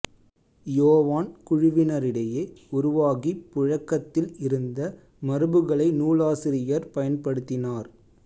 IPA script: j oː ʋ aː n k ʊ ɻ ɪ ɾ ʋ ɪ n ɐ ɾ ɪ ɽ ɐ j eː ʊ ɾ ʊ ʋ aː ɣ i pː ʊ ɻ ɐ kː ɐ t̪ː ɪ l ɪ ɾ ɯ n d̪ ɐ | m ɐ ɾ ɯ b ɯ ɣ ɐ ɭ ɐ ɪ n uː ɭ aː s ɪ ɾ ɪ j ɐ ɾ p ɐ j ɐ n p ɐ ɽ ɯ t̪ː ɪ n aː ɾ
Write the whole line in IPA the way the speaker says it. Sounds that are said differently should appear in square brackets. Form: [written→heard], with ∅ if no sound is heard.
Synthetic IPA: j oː ʋ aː n k ʊ ɻ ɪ [ɾ→∅] ʋ ɪ n ɐ ɾ ɪ ɽ ɐ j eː ʊ ɾ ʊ ʋ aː ɣ i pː ʊ ɻ ɐ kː ɐ t̪ː ɪ l ɪ ɾ ɯ n d̪ ɐ | m ɐ ɾ ɯ b ɯ ɣ ɐ ɭ ɐ ɪ n uː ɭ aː s ɪ ɾ ɪ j ɐ ɾ p ɐ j ɐ n p ɐ ɽ ɯ t̪ː ɪ n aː ɾ

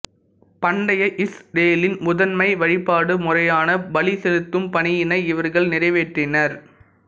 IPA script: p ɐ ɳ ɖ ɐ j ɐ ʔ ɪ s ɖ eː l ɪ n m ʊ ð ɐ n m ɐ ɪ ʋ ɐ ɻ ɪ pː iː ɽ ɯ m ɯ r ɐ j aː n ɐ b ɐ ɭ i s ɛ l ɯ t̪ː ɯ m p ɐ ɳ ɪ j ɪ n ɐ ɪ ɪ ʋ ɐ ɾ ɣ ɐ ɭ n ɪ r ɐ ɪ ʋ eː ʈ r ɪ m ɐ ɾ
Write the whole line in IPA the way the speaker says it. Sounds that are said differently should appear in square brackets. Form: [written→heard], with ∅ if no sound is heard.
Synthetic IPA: p ɐ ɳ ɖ ɐ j ɐ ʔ ɪ s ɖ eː l ɪ n m ʊ ð ɐ n m ɐ ɪ ʋ ɐ ɻ ɪ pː [iː→aː] ɽ ɯ m [ɯ→ʊ] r ɐ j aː n ɐ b ɐ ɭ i s ɛ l ɯ t̪ː ɯ m p ɐ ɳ ɪ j ɪ n ɐ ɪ ɪ ʋ ɐ ɾ ɣ ɐ ɭ n ɪ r ɐ ɪ ʋ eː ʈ r ɪ [m→n] ɐ ɾ

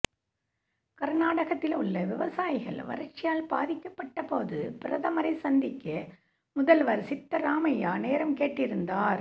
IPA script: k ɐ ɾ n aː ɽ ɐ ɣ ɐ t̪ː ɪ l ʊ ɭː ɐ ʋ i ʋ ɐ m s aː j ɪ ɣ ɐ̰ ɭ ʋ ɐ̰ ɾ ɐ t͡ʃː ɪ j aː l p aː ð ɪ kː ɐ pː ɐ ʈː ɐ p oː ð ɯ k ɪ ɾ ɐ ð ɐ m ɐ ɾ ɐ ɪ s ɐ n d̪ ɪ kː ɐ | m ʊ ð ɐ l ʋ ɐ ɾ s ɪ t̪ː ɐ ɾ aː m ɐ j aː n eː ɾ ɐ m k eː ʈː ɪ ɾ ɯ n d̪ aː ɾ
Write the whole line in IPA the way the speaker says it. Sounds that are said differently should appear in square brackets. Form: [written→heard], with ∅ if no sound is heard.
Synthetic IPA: k ɐ ɾ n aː ɽ ɐ ɣ ɐ t̪ː ɪ l ʊ ɭː ɐ ʋ [i→ɪ] ʋ ɐ [m→∅] s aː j ɪ ɣ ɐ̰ ɭ ʋ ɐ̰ ɾ ɐ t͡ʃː ɪ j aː l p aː ð ɪ kː ɐ pː ɐ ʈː ɐ p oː ð ɯ [k→p] ɪ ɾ ɐ ð ɐ m ɐ ɾ ɐ ɪ s ɐ n d̪ ɪ kː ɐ | m ʊ ð ɐ l ʋ ɐ ɾ s ɪ t̪ː ɐ ɾ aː m ɐ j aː n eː ɾ ɐ m k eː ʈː ɪ ɾ ɯ n d̪ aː ɾ

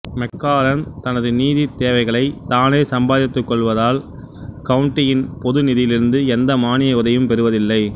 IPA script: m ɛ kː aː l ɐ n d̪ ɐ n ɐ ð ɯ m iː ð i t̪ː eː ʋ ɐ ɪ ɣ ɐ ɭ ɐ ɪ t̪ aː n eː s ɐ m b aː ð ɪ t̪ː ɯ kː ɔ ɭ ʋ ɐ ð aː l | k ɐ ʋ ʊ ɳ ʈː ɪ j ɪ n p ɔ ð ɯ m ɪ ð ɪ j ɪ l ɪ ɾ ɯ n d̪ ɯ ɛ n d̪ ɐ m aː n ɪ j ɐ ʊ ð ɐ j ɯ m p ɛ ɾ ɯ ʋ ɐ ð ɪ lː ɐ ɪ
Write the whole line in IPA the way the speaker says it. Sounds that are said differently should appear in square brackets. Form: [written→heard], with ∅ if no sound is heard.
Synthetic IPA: m ɛ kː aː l ɐ n [d̪→t̪] ɐ n ɐ ð ɯ [m→n] iː ð i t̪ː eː ʋ ɐ ɪ ɣ ɐ ɭ ɐ ɪ t̪ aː n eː s ɐ m b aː ð ɪ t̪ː ɯ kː ɔ ɭ ʋ ɐ ð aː l | k ɐ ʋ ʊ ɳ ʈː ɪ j ɪ n p ɔ ð ɯ [m→n] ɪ ð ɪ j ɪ l ɪ ɾ ɯ n d̪ ɯ ɛ n d̪ ɐ m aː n ɪ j ɐ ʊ ð ɐ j ɯ m p ɛ ɾ ɯ ʋ ɐ ð ɪ lː ɐ ɪ

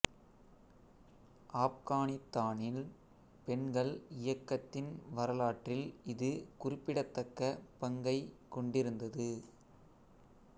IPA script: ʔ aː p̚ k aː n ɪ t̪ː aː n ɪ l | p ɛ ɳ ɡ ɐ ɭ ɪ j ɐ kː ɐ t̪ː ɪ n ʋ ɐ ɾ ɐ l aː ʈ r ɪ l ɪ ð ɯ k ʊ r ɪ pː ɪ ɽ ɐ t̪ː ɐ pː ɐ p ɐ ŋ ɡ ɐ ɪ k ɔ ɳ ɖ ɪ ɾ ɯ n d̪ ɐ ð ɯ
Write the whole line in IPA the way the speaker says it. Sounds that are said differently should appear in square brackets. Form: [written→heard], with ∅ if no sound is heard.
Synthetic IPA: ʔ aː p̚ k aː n ɪ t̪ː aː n ɪ l | p ɛ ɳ ɡ ɐ ɭ ɪ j ɐ kː ɐ t̪ː ɪ n ʋ ɐ ɾ ɐ l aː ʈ r ɪ l ɪ ð ɯ k ʊ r ɪ pː ɪ ɽ ɐ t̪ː ɐ [pː→kː] ɐ p ɐ ŋ ɡ ɐ ɪ k ɔ ɳ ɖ ɪ ɾ ɯ n d̪ ɐ ð ɯ

